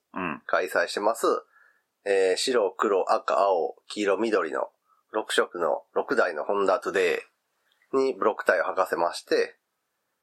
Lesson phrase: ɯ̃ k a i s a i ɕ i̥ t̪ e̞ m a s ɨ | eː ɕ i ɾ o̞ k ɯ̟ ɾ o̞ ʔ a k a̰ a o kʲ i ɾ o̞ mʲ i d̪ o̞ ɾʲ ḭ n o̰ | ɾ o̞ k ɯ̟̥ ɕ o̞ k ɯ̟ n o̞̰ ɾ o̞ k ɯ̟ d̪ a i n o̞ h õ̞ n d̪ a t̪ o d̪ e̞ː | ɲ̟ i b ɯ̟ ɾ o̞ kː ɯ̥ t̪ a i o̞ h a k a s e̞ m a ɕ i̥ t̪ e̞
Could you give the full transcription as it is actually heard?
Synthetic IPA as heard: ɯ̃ k a i s a i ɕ i̥ t̪ e̞ m a s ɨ | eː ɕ i ɾ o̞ k ɯ̟ ɾ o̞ ʔ a k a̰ a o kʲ i ɾ o̞ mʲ i d̪ o̞ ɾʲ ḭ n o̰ | ɾ o̞ k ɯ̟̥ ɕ o̞ k ɯ̟ n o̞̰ ɾ o̞ k ɯ̟ d̪ a i n o̞ h õ̞ n d̪ a t̪ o d̪ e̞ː | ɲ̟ i b ɯ̟ ɾ o̞ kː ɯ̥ t̪ a i o̞ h a k a s e̞ m a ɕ i̥ t̪ e̞